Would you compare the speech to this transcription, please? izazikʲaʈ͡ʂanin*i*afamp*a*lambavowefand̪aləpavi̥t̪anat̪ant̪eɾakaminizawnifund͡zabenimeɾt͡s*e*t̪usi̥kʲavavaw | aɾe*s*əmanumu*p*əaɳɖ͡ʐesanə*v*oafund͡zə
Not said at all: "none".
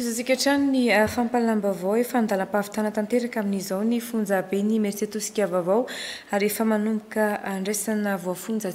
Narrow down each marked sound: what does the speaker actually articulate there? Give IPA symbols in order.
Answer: i, a, e, f, k, v

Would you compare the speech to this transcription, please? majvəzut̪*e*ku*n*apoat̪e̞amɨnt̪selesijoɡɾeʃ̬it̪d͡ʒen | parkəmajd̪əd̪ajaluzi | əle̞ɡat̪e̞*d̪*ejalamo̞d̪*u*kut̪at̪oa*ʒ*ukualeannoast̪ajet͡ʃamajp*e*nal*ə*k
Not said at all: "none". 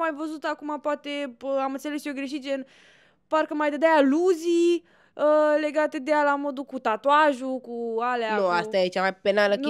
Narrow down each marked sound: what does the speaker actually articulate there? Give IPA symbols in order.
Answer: a, m, d̪, u, ʒ, e, ə

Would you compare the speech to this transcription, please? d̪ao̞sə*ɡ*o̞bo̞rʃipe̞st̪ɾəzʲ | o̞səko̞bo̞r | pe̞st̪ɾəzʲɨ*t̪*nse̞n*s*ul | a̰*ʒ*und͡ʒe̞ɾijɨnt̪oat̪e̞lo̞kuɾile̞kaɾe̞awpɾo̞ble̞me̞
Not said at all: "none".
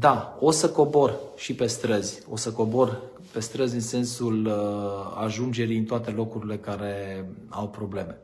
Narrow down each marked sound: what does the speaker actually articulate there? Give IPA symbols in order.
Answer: k, none, s, ʒ

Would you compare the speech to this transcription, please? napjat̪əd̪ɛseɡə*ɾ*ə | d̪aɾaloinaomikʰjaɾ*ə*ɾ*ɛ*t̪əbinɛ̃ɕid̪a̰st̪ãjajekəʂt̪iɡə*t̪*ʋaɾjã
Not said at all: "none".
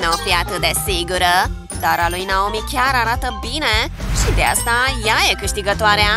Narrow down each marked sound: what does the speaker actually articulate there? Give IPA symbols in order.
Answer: ɾ, a, a, t̪

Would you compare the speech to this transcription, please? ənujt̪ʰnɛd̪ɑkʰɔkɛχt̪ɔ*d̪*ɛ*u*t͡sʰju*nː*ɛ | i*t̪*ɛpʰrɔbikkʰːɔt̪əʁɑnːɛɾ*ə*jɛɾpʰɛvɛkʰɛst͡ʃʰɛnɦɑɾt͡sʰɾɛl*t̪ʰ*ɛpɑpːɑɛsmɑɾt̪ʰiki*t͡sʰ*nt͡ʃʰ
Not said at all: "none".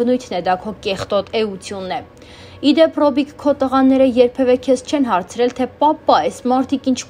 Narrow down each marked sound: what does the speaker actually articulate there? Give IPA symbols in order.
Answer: t̪, u, nː, d̪, ə, t̪ʰ, none

